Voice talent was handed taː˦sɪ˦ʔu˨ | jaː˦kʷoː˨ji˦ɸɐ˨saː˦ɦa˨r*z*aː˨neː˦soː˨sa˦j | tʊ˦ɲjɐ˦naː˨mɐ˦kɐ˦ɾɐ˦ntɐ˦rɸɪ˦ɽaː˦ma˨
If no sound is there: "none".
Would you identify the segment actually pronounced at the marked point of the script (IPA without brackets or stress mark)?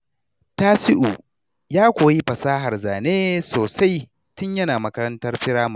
z